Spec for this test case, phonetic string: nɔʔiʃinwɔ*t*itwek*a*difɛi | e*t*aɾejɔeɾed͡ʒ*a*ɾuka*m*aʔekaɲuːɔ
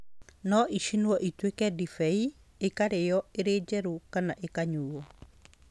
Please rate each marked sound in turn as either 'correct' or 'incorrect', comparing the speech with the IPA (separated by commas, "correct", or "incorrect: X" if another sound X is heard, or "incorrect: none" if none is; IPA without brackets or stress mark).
incorrect: ʔ, incorrect: ɛ, incorrect: k, incorrect: ɛ, incorrect: n